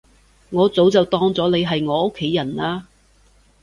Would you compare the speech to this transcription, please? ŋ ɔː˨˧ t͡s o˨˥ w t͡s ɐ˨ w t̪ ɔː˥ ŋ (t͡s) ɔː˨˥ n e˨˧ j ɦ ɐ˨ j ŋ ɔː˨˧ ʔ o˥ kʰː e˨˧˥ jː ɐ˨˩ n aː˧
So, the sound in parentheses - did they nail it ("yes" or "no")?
yes